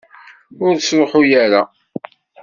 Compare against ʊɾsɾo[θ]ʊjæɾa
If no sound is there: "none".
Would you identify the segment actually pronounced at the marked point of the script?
ħ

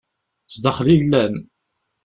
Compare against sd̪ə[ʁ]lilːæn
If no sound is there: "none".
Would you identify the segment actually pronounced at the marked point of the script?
χ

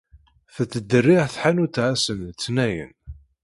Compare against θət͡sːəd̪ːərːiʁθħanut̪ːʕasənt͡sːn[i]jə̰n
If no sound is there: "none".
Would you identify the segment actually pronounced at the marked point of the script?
æ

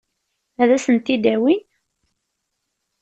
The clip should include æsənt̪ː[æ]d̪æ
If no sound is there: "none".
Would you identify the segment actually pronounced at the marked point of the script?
i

